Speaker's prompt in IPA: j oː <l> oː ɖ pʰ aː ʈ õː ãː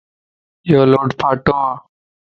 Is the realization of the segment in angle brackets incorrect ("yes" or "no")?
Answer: no